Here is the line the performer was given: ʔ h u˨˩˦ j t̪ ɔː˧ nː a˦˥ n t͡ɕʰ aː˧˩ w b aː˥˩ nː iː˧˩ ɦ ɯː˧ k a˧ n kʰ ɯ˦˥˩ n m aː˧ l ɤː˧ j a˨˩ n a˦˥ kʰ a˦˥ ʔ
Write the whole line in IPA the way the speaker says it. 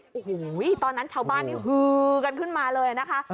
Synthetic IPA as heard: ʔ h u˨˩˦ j t̪ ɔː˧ nː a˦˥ n t͡ɕʰ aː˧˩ w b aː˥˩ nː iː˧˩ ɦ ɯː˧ k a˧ n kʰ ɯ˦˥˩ n m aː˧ l ɤː˧ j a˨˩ n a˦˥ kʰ a˦˥ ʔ